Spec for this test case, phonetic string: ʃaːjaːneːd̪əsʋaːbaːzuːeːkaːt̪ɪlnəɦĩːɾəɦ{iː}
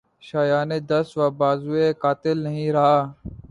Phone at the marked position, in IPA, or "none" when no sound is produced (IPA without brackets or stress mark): aː